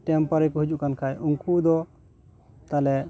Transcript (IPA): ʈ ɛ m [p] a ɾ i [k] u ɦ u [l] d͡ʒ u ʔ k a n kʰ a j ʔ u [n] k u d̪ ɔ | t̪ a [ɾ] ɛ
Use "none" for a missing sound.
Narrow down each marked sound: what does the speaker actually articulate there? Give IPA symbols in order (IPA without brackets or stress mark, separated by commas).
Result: p, k, none, ŋ, l